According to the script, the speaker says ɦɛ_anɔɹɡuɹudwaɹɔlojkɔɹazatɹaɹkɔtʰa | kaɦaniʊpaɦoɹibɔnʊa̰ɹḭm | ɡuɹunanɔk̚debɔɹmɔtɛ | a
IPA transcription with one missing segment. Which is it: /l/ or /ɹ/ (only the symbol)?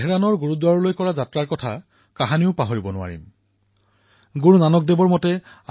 ɹ